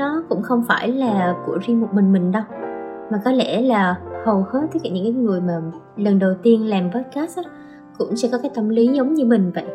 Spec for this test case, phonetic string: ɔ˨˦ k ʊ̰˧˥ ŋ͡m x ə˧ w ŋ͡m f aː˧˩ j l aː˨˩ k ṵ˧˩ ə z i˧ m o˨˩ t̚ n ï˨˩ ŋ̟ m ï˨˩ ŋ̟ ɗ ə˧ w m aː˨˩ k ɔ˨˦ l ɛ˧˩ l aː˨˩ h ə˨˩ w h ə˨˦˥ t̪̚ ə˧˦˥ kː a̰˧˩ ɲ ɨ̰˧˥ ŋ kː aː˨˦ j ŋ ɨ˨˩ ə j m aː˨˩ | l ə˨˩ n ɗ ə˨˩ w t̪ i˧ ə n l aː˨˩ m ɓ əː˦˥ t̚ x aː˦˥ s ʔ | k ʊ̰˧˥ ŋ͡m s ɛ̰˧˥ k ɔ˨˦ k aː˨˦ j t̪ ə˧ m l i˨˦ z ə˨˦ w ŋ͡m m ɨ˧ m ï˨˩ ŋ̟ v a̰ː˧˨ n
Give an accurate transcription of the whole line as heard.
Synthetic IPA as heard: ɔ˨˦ k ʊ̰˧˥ ŋ͡m x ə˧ w ŋ͡m f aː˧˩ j l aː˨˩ k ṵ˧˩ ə z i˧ m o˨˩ t̚ m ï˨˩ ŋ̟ m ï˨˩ ŋ̟ ɗ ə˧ w m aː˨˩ k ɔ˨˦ l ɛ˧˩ l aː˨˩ h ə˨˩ w h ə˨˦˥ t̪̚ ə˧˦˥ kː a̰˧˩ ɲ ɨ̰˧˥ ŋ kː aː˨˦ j ŋ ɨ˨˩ ə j m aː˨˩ | l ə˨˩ n ɗ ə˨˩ w t̪ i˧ ə n l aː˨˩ m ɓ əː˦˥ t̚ k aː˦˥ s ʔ | k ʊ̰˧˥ ŋ͡m s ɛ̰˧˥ k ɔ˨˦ k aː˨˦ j t̪ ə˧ m l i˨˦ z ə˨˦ w ŋ͡m ɲ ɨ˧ m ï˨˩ ŋ̟ v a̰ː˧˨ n